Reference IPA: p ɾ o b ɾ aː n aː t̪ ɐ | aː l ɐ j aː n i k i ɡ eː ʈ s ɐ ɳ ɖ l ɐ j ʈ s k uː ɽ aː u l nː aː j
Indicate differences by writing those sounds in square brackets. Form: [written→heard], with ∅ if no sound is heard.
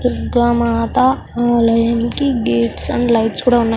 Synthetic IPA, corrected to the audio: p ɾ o [b→ɡ] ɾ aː [n→m] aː t̪ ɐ | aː l ɐ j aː n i k i ɡ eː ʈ s ɐ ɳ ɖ l ɐ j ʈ s k uː ɽ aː u [l→∅] nː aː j